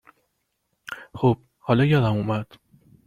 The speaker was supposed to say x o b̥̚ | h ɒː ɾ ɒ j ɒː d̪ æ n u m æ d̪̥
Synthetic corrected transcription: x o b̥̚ | h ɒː l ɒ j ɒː d̪ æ m u m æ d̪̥